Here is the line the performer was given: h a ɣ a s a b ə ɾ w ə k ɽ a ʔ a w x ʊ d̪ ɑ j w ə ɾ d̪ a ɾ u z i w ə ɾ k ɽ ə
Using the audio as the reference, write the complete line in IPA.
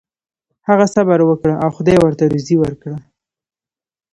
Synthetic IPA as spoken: h a ɣ a s a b a ɾ w ə k ɽ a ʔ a w x ʊ d̪ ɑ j w ə ɾ t̪ a ɾ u z i w ə ɾ k ɽ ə